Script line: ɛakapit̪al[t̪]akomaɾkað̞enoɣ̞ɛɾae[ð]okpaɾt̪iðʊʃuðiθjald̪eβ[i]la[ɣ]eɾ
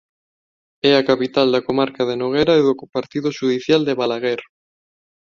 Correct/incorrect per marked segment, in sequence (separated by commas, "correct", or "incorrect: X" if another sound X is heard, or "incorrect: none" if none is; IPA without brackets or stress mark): incorrect: d̪, correct, incorrect: a, correct